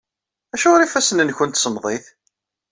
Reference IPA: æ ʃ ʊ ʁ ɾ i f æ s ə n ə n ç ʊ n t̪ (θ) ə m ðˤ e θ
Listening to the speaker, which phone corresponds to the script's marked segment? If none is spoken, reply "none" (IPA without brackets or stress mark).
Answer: s